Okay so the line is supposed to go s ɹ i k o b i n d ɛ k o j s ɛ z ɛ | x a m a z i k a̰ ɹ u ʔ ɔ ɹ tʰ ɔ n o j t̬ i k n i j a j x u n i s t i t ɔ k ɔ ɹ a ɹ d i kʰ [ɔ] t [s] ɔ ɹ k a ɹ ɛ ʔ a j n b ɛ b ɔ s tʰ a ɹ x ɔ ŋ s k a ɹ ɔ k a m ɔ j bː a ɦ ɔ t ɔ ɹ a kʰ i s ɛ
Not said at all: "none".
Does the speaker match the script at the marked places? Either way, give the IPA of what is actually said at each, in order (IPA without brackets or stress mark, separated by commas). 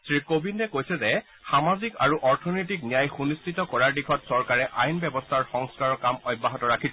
ɔ, s